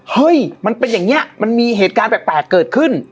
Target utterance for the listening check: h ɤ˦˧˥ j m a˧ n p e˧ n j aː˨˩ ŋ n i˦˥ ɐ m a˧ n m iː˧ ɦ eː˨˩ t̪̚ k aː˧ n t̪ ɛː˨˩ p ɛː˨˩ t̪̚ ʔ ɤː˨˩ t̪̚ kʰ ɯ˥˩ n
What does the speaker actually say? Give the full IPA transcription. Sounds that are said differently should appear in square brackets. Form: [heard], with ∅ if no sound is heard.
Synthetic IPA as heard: h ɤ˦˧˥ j m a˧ n p e˧ n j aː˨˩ ŋ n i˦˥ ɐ m a˧ n m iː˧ ɦ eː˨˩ t̪̚ k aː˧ n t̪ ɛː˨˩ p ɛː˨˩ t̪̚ [k] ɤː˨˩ t̪̚ kʰ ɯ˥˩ n